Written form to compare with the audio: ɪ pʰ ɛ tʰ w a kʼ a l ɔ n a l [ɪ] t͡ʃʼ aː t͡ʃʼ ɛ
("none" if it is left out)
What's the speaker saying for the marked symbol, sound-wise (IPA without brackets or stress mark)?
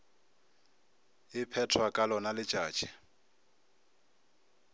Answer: ɪ